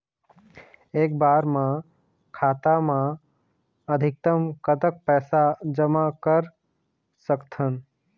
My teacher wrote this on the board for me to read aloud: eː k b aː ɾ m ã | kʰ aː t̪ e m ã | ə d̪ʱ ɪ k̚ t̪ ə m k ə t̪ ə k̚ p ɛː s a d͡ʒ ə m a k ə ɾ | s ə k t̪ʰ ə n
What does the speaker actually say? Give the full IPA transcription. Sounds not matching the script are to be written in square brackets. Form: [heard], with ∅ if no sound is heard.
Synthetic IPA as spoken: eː k b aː ɾ m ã | kʰ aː t̪ [a] m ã | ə d̪ʱ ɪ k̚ t̪ ə m k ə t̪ ə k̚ p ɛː s a d͡ʒ ə m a k ə ɾ | s ə k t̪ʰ ə n

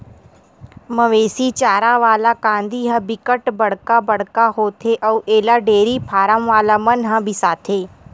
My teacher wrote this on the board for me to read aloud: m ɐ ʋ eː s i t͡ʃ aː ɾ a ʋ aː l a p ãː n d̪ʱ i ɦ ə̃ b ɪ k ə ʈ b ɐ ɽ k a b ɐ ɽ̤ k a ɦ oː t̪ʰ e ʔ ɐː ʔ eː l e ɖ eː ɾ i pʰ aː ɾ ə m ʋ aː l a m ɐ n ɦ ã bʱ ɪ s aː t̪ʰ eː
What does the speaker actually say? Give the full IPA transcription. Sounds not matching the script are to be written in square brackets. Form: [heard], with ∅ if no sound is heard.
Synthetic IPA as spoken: m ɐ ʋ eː s i t͡ʃ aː ɾ a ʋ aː l a [k] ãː n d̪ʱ i ɦ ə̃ b ɪ k ə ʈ b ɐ ɽ k a b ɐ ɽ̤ k a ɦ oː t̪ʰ e ʔ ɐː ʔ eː l [a] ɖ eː ɾ i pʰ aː ɾ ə m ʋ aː l a m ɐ n ɦ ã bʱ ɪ s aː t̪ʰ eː

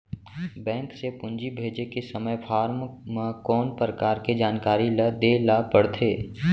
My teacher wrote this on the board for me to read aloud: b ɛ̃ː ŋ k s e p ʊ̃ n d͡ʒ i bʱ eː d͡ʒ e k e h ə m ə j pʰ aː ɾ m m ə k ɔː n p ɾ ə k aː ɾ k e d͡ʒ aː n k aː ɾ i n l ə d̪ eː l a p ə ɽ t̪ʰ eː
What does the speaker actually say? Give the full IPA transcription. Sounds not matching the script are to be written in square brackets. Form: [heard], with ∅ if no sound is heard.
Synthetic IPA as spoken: b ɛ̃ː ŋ k s e p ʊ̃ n d͡ʒ i bʱ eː d͡ʒ e k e [s] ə m ə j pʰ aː ɾ m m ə k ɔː n p ɾ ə k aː ɾ k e d͡ʒ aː n k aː ɾ i [∅] l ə d̪ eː l a p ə ɽ t̪ʰ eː

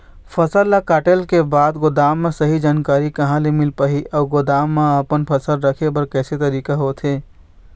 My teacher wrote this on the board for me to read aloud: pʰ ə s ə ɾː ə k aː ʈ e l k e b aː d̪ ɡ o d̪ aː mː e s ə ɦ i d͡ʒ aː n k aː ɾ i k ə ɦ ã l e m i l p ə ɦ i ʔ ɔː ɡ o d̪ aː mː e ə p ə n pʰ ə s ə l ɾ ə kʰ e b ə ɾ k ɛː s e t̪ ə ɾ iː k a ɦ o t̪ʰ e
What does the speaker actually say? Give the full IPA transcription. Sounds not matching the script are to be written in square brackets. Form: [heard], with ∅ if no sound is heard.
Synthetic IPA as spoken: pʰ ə s ə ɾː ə k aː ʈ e l k e b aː d̪ ɡ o d̪ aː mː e s ə ɦ i d͡ʒ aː n k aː ɾ i k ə ɦ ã l e m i l p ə ɦ i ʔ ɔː ɡ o d̪ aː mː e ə p ə n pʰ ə s ə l ɾ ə kʰ e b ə ɾ k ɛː s e t̪ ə ɾ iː k a ɦ o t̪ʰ e

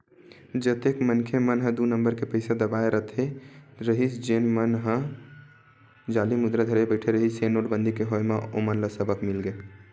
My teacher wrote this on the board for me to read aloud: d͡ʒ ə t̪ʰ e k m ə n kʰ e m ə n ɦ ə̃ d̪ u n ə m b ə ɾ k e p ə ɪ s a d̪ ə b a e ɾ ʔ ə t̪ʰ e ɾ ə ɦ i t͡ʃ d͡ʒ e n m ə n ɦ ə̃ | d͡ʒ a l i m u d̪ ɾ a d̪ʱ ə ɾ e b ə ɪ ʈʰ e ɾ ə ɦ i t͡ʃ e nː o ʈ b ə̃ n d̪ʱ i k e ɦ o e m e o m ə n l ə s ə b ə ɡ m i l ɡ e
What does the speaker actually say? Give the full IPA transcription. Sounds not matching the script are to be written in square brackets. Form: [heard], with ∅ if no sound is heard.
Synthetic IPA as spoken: d͡ʒ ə [t̪] e k m ə n kʰ e m ə n ɦ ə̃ d̪ u n ə m b ə ɾ k e p ə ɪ s a d̪ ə b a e ɾ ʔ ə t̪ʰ e ɾ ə ɦ i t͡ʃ d͡ʒ e n m ə n ɦ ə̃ | d͡ʒ a l i m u d̪ ɾ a d̪ʱ ə ɾ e b ə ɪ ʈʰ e ɾ ə ɦ i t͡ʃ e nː o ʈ b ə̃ n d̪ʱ i k e ɦ o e m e o m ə n l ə s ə b ə [k] m i l ɡ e

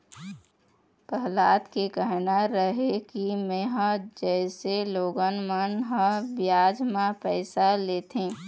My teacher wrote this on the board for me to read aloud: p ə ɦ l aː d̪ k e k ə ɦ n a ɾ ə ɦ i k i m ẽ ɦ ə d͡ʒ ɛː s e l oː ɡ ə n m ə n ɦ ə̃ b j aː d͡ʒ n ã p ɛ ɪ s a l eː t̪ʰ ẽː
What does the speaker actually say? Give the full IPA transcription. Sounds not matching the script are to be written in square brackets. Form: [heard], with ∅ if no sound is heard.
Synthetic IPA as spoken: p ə ɦ l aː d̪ k e k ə ɦ n a ɾ ə ɦ [e] k i m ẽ ɦ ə d͡ʒ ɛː s e l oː ɡ ə n m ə n ɦ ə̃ b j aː d͡ʒ [m] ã p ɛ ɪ s a l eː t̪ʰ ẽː

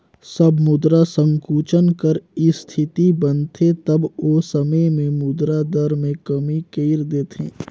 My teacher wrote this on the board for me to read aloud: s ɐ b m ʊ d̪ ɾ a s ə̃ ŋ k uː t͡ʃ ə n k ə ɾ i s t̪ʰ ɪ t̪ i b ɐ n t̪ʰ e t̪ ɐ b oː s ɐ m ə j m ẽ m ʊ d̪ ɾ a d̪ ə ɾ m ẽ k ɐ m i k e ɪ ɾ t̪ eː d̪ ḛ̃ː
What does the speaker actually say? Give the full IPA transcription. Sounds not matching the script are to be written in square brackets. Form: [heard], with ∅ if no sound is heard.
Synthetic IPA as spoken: s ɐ b m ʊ d̪ ɾ a s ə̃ ŋ k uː t͡ʃ ə n k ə ɾ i s t̪ʰ ɪ t̪ i b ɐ n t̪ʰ e t̪ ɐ b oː s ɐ m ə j m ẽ m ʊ d̪ ɾ a d̪ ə ɾ m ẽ k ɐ m i k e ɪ ɾ [d̪] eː [t̪] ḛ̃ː

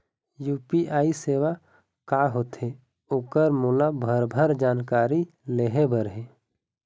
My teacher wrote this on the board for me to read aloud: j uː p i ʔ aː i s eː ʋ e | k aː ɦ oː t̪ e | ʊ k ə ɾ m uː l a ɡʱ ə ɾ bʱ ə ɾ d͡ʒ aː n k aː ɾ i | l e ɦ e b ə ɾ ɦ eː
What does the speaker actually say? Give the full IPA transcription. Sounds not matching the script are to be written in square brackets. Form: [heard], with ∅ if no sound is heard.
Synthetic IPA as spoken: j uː p i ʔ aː i s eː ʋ [a] | k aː ɦ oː t̪ e | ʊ k ə ɾ m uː l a [bʱ] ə ɾ bʱ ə ɾ d͡ʒ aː n k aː ɾ i | l e ɦ e b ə ɾ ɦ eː

